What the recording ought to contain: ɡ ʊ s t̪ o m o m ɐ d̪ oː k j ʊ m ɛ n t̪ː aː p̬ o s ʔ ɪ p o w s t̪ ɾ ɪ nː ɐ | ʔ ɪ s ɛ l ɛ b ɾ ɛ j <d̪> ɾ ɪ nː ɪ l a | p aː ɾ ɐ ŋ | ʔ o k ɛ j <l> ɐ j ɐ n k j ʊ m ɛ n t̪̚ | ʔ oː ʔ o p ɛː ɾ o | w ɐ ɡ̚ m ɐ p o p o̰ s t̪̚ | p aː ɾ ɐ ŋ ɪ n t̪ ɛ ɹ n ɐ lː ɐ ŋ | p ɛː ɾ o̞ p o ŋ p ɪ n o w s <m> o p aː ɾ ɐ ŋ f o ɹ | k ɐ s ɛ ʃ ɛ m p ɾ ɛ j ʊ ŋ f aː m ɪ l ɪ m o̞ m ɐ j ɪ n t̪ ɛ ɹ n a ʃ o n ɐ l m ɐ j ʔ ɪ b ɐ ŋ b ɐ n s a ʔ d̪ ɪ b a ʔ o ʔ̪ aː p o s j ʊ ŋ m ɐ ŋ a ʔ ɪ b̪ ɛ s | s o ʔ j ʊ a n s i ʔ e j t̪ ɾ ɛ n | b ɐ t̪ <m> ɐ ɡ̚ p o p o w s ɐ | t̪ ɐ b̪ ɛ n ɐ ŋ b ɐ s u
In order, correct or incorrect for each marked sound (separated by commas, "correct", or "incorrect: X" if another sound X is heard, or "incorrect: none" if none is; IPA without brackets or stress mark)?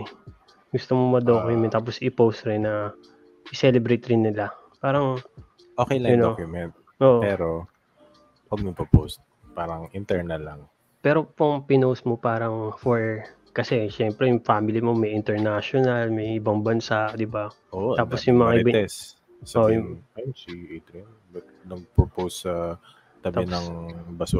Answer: incorrect: t̪, correct, correct, incorrect: n